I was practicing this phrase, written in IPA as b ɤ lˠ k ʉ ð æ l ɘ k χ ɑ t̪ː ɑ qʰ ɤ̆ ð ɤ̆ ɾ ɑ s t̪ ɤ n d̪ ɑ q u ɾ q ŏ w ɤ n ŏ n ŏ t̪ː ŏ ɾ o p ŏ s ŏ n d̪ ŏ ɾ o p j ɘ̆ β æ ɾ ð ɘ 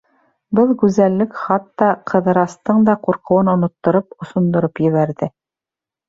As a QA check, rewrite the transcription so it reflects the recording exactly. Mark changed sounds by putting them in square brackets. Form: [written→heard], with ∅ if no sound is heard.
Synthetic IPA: b ɤ lˠ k ʉ [ð→z] æ [l→lː] ɘ k χ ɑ t̪ː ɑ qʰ ɤ̆ ð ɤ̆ ɾ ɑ s t̪ ɤ [n→ɴ] d̪ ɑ q u ɾ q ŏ w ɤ n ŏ n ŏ t̪ː ŏ ɾ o p ŏ s ŏ n d̪ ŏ ɾ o p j ɘ̆ β æ ɾ ð ɘ